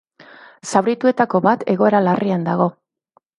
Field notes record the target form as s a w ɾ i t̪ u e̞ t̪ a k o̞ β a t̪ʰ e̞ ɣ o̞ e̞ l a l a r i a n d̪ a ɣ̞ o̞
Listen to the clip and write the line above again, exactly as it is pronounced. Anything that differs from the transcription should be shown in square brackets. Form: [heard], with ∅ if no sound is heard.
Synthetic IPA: s a w ɾ i t̪ u e̞ t̪ a k o̞ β a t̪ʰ e̞ ɣ o̞ e̞ [ɾ] a l a r i a n d̪ a ɣ̞ o̞